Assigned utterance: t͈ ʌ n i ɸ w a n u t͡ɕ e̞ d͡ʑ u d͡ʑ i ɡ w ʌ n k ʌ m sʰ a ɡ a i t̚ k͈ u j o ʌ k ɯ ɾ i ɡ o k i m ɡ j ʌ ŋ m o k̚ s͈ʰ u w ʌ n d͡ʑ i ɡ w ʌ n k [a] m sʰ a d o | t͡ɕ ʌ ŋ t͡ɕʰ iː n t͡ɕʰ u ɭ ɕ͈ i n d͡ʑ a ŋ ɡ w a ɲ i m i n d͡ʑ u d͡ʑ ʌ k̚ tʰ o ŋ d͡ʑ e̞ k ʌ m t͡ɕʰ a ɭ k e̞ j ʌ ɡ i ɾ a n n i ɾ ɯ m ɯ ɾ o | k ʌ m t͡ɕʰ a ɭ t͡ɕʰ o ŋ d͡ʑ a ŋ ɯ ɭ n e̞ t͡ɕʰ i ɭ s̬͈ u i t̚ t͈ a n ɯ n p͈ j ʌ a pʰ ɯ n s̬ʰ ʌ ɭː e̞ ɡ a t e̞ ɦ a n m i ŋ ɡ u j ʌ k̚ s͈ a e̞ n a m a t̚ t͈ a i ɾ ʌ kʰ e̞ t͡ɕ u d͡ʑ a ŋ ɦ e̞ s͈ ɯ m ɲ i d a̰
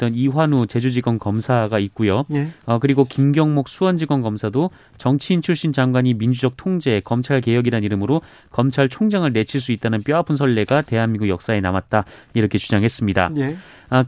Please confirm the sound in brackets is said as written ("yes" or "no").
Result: no